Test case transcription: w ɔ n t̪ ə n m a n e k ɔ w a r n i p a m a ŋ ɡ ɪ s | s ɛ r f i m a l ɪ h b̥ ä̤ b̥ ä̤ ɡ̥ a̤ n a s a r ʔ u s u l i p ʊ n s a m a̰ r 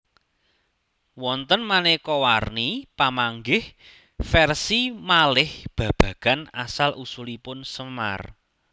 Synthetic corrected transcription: w ɔ n t̪ ə n m a n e k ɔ w a r n i p a m a ŋ ɡ ɪ h | f ɛ r s i m a l ɪ h b̥ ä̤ b̥ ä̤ ɡ̥ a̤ n a s a l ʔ u s u l i p ʊ n s ə m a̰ r